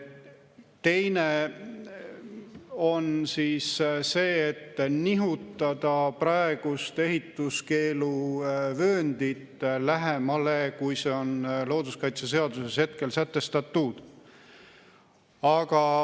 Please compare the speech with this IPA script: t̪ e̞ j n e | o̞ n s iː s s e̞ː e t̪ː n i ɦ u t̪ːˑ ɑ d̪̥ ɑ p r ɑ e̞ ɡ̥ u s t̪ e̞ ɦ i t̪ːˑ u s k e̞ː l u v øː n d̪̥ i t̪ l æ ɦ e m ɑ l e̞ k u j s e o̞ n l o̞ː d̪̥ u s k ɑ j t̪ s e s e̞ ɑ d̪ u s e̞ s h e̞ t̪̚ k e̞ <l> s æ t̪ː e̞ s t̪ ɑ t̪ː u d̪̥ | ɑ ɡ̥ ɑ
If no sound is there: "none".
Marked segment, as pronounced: l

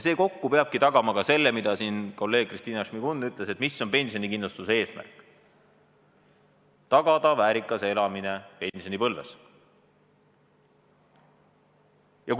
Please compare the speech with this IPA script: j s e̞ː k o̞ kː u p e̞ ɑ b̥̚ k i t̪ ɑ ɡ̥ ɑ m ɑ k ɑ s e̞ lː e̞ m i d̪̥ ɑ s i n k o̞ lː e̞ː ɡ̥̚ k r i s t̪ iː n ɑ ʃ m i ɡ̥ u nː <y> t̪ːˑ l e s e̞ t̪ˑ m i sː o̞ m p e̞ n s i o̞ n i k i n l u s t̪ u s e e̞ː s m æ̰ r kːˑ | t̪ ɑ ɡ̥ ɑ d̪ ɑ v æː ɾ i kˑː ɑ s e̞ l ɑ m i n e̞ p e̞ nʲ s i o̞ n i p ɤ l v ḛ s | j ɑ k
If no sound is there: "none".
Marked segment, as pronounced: y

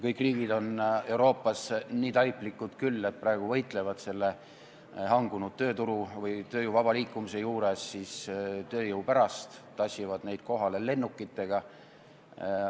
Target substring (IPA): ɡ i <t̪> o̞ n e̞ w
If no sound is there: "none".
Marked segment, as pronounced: d̪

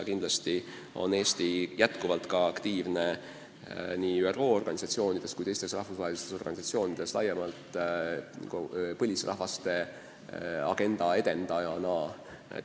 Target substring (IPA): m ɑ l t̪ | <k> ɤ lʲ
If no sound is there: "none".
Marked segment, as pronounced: p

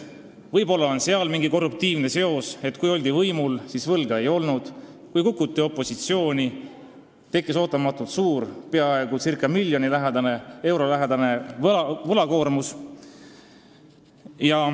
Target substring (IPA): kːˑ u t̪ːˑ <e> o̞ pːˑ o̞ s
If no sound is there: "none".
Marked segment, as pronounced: i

